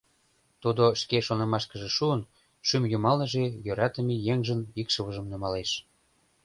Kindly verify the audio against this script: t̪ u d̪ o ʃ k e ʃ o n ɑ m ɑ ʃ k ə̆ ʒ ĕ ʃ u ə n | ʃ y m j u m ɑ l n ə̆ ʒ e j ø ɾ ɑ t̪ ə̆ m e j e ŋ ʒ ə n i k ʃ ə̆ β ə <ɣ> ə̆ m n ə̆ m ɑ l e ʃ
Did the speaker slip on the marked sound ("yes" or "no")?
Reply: yes